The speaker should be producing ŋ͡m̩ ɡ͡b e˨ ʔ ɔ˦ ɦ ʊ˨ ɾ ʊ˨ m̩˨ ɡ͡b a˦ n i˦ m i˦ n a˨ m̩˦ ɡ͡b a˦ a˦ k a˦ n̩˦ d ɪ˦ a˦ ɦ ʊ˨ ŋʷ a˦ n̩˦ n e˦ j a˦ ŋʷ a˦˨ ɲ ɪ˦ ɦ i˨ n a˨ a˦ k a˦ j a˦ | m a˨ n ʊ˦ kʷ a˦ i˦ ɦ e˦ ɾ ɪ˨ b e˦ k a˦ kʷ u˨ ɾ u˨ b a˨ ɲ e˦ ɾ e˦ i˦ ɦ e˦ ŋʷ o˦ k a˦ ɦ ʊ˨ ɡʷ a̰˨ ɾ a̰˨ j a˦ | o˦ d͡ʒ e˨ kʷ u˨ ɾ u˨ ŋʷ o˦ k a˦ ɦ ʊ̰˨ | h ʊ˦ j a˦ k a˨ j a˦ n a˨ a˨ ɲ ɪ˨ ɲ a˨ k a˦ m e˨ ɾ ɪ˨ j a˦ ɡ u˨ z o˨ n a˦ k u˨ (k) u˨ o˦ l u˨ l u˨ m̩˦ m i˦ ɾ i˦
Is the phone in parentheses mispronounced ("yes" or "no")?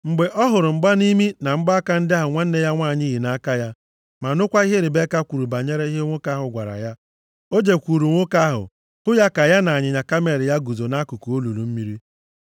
no